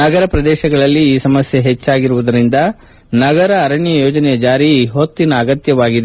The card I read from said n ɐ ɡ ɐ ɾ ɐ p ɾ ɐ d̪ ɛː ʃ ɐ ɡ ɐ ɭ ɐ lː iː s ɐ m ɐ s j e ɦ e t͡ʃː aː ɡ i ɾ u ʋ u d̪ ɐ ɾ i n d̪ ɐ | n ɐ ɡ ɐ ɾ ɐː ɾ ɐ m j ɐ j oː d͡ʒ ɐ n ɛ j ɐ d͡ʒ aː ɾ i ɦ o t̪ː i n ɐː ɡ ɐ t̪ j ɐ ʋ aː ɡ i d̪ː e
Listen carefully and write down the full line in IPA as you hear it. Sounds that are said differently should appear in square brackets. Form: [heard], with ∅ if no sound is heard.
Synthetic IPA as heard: n ɐ ɡ ɐ ɾ ɐ p ɾ ɐ d̪ ɛː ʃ ɐ ɡ ɐ ɭ ɐ lː iː s ɐ m ɐ s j e ɦ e t͡ʃː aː ɡ i ɾ u ʋ u d̪ ɐ ɾ i n d̪ ɐ | n ɐ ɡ ɐ ɾ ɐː ɾ ɐ [ɳ] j ɐ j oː d͡ʒ ɐ n ɛ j ɐ d͡ʒ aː ɾ i ɦ o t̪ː i n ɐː ɡ ɐ t̪ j ɐ ʋ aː ɡ i [d̪] e